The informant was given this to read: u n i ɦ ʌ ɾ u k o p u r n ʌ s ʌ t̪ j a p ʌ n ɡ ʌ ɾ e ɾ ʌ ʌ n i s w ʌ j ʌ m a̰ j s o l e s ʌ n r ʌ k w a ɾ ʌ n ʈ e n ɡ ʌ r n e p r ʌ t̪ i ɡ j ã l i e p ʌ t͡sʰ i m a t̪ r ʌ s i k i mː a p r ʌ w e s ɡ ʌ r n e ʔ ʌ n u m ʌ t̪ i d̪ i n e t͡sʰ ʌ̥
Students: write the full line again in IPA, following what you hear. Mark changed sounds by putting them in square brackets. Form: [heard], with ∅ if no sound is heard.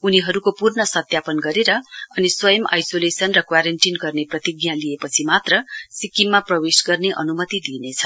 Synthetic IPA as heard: u n i ɦ ʌ ɾ u k o p u r n ʌ s ʌ t̪ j a p ʌ n ɡ ʌ ɾ e ɾ ʌ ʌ n i s w ʌ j ʌ m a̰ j s o l e s ʌ n r ʌ k w a ɾ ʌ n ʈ [i] n ɡ ʌ r n e p r ʌ t̪ i ɡ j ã l i e p ʌ t͡sʰ i m a t̪ r ʌ s i k i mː a p r ʌ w e s ɡ ʌ r n e ʔ ʌ n u m ʌ t̪ i d̪ i n e t͡sʰ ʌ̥